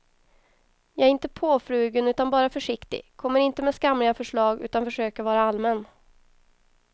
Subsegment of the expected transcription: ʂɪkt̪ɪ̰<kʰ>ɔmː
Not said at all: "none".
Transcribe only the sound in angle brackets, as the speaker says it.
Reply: kʰ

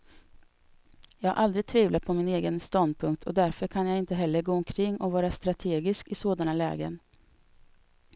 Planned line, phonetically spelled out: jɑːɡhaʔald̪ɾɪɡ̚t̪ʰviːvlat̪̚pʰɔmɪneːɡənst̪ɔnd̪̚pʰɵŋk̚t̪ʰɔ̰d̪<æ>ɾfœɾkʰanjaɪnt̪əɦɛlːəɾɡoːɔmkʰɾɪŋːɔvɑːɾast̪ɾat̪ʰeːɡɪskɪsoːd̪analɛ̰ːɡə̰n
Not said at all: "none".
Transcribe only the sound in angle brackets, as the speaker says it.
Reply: æ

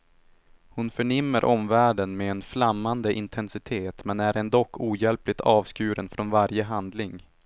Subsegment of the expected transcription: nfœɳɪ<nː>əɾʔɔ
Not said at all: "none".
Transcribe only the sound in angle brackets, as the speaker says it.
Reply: mː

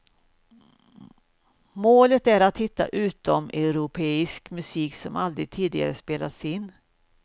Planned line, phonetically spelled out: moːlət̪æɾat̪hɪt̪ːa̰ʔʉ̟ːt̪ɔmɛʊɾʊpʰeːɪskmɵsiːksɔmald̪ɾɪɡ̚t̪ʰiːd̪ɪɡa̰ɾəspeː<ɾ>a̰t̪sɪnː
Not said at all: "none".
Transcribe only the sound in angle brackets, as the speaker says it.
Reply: l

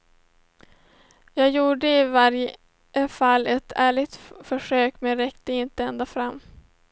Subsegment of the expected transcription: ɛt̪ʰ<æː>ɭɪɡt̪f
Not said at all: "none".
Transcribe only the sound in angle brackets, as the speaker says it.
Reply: æː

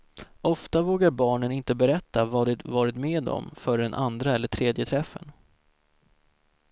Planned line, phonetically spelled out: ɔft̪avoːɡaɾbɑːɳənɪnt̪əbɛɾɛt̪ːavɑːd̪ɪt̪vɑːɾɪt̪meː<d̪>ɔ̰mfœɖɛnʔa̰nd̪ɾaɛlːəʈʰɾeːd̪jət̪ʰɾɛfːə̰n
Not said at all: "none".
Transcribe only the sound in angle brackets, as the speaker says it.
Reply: d̪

